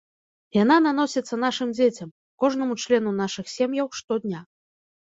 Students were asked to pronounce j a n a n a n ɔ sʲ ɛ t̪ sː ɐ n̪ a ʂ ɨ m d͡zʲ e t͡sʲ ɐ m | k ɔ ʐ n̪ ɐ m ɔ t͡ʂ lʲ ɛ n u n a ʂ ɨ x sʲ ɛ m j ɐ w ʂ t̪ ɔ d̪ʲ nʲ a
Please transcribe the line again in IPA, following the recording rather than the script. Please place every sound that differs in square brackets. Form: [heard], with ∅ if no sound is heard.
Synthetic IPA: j a n a n a n ɔ sʲ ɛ t̪ sː ɐ n̪ a ʂ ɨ m d͡zʲ e t͡sʲ ɐ m | k ɔ ʐ n̪ ɐ m [u] t͡ʂ lʲ ɛ n u n a ʂ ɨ x sʲ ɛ m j ɐ w ʂ t̪ ɔ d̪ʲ nʲ a